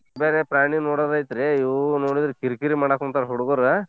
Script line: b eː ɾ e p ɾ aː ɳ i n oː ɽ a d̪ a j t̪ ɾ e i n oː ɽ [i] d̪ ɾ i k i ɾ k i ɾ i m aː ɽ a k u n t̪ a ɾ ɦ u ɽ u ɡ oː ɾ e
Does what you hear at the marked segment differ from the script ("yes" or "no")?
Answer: no